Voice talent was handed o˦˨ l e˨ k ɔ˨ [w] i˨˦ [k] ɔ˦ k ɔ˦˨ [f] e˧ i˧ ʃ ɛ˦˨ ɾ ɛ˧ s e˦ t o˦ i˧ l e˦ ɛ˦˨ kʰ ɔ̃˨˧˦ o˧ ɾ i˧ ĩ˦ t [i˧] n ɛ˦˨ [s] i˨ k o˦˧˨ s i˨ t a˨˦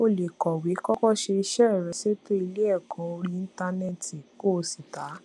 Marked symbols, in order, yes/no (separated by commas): yes, yes, no, no, no